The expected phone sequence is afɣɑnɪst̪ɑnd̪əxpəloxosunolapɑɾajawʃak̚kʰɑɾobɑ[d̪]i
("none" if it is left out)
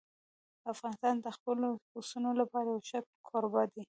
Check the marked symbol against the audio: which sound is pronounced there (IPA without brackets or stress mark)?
d̪